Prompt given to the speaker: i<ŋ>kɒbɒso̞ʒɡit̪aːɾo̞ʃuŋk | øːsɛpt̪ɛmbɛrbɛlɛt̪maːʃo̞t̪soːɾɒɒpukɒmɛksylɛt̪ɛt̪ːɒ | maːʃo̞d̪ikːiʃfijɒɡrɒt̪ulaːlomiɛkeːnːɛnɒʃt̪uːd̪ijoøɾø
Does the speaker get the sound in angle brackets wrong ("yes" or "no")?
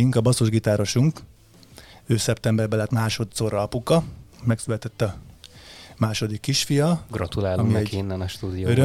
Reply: no